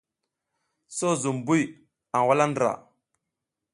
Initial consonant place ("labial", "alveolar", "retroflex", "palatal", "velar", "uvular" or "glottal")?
alveolar